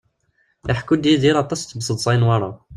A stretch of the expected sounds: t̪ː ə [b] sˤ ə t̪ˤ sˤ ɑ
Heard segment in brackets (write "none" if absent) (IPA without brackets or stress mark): b